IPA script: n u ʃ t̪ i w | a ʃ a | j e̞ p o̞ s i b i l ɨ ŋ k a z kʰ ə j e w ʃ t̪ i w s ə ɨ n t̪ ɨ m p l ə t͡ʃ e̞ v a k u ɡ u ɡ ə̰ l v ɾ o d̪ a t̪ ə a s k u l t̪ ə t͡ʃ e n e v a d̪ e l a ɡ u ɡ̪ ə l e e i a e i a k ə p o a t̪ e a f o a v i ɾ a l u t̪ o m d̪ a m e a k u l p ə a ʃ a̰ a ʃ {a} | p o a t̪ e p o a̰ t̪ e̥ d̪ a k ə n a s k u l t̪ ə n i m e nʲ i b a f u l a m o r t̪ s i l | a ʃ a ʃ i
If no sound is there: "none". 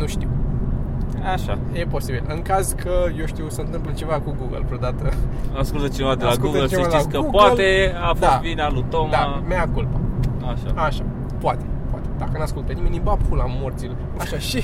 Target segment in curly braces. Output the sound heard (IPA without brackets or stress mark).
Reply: a